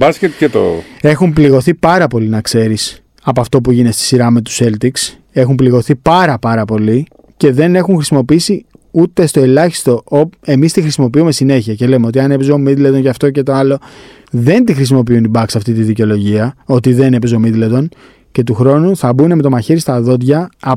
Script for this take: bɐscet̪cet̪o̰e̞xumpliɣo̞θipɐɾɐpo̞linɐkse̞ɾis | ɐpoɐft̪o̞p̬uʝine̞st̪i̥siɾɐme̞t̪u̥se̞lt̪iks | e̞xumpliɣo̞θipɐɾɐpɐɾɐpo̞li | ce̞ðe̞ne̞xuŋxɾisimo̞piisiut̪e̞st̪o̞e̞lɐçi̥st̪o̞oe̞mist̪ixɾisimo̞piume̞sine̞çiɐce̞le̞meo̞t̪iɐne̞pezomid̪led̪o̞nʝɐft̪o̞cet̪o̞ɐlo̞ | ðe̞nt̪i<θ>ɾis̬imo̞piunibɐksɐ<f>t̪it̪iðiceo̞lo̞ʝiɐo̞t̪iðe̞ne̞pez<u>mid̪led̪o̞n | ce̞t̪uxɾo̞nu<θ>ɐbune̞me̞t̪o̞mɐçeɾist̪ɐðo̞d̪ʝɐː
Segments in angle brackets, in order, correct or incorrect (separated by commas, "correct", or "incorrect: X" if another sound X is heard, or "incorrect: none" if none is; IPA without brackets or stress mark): incorrect: x, correct, incorrect: o, correct